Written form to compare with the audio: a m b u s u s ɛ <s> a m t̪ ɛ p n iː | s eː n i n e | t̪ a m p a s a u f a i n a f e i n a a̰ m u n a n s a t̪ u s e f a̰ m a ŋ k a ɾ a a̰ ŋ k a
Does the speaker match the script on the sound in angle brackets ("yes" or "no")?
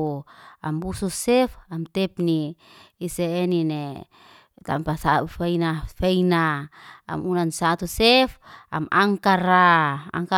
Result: no